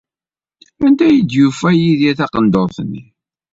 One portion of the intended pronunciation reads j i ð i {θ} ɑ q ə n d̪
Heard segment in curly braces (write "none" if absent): θ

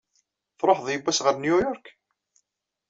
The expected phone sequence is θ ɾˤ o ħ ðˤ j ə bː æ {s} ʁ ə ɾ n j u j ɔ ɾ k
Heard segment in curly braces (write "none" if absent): s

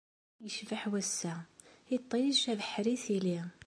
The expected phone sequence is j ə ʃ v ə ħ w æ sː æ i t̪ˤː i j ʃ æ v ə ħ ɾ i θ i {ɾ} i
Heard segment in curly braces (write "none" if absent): l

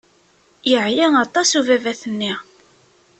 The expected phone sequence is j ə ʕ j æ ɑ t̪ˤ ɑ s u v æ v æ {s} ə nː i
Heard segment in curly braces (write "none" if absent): θ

